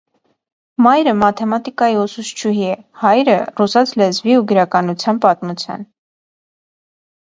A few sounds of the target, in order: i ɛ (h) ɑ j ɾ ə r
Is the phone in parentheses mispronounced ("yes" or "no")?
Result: no